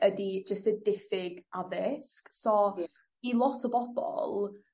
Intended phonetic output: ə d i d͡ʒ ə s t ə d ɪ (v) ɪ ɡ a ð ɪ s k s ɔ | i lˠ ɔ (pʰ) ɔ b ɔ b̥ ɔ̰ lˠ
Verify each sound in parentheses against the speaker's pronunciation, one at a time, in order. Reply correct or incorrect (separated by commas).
incorrect, incorrect